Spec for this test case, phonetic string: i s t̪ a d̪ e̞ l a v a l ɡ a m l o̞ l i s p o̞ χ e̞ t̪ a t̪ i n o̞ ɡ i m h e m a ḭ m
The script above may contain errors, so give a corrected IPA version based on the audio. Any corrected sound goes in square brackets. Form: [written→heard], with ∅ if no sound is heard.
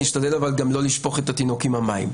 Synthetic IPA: i [s→ʃ] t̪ a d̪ e̞ l a v a l ɡ a m l o̞ l i [s→ʃ] p o̞ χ e̞ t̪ a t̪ i n o̞ [ɡ→k] i m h [e→a] m a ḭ m

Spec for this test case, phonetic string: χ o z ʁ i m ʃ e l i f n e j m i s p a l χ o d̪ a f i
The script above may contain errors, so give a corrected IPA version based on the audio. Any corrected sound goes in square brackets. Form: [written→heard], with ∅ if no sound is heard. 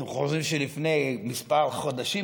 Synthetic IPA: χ o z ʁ i m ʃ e l i f n e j m i s p a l χ o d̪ a [f→ʃ] i

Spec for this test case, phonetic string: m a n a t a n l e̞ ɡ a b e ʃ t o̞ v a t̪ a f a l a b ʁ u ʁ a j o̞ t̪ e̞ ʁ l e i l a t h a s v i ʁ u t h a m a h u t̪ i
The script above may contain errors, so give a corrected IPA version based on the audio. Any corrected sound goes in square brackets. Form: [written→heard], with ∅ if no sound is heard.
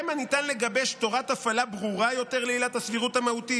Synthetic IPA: m a n [a→i] t a n l e̞ ɡ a b e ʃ t o̞ [v→ʁ] a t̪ a f a l a b ʁ u ʁ a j o̞ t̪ e̞ ʁ l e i l a t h a s v i ʁ u t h a m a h u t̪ i

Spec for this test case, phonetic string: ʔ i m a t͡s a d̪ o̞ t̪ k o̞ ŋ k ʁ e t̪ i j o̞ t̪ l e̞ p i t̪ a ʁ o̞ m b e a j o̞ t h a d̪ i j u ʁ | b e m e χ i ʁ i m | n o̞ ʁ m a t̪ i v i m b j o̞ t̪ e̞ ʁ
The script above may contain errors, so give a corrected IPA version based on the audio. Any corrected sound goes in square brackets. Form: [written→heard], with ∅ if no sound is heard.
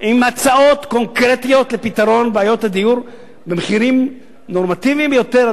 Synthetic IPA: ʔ i m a t͡s a [d̪→∅] o̞ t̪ k o̞ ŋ k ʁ e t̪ i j o̞ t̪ l e̞ p i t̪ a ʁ o̞ [m→n] b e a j o̞ t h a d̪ i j u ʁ | b e m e χ i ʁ i m | n o̞ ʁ m a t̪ i v i m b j o̞ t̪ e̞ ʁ

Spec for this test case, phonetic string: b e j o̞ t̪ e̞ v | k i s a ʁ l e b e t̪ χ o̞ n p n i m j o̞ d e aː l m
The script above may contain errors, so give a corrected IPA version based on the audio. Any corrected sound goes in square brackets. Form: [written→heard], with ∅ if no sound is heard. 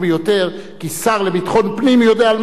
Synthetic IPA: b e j o̞ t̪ e̞ [v→ʁ] | k i s a ʁ l e b [e→i] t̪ χ o̞ n p n i m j o̞ d e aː l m

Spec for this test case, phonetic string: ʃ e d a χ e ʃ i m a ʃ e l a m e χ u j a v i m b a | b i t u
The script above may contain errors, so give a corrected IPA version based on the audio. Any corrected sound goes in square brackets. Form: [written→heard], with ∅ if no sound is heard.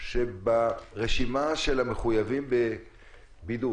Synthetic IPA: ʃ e [d→b] a [χ→ʁ] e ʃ i m a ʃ e l a m e χ u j a v i m b [a→e] | b i [t→d] u

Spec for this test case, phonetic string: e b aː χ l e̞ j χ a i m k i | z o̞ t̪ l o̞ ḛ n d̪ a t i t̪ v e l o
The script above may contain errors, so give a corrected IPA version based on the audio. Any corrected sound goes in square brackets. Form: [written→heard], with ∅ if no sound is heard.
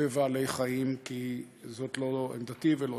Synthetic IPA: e [b→v] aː [χ→∅] l e̞ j χ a i m k i | z o̞ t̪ l o̞ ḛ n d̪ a t i [t̪→∅] v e l o

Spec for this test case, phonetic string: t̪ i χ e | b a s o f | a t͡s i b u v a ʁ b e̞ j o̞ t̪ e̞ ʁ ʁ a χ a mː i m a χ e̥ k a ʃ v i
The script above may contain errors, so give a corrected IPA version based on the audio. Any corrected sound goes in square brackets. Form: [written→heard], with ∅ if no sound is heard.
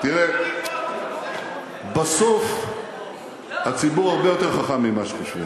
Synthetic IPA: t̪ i [χ→ʁ] e | b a s o f | a t͡s i b u [v→ʁ] a ʁ b e̞ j o̞ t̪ e̞ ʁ [ʁ→χ] a χ a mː i m a [χ→ʃ] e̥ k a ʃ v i

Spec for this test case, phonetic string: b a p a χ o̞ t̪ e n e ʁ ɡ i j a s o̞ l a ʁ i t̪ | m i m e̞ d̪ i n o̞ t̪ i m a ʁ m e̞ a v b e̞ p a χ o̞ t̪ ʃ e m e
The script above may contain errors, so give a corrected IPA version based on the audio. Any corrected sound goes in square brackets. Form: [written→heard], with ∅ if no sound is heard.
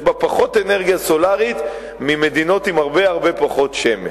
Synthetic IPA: b a p a χ o̞ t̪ e n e ʁ ɡ i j a s o̞ l a ʁ i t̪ | m i m e̞ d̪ i n o̞ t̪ i m a ʁ [m→b] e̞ a [v→ʁ] b e̞ p a χ o̞ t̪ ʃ e m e

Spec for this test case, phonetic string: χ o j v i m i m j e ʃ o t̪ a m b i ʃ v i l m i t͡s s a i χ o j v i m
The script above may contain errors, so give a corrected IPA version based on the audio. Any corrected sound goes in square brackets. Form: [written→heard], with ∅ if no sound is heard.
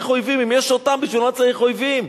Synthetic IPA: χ o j v i m i m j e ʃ o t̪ a m b i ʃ v i l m [i→a] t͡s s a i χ o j v i m

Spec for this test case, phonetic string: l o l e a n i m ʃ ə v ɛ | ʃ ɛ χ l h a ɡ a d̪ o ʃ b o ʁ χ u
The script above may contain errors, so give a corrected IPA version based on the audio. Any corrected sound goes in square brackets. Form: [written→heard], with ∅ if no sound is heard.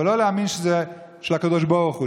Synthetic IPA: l o l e a [n→m] i [m→n] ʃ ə [v→z] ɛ | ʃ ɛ [χ→∅] l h a [ɡ→k] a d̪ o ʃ b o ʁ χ u

